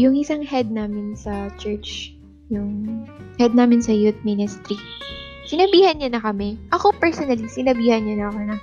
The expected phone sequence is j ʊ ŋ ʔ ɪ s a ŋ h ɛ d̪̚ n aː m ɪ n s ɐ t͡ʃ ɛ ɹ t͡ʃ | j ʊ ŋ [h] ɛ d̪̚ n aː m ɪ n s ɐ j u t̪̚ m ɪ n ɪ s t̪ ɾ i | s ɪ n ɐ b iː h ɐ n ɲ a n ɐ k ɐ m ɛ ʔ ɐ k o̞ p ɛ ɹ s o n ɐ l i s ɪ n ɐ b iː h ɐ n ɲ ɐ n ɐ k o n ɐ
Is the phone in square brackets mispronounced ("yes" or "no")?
no